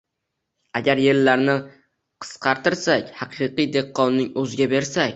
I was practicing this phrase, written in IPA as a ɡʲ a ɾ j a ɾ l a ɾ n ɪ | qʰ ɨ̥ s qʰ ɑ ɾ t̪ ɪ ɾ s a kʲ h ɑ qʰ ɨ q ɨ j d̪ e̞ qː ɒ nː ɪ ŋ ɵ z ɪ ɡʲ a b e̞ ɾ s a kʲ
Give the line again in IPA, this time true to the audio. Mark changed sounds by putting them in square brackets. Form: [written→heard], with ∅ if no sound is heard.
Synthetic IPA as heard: a ɡʲ a ɾ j [a→e] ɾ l a ɾ n ɪ | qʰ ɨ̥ s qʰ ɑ ɾ t̪ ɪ ɾ s a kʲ h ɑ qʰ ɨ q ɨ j d̪ e̞ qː ɒ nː ɪ ŋ ɵ z ɪ ɡʲ a b e̞ ɾ s a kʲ